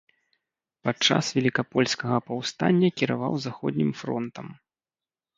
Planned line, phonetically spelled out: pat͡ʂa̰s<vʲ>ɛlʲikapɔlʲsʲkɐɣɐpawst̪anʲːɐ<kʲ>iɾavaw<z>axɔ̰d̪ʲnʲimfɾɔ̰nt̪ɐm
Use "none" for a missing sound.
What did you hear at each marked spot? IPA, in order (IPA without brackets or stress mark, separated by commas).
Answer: vʲ, kʲ, z